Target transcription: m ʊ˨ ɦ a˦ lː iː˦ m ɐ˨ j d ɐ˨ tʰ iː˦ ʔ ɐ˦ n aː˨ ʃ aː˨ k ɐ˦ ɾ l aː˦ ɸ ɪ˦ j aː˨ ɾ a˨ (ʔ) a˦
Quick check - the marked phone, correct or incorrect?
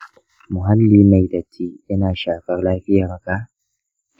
incorrect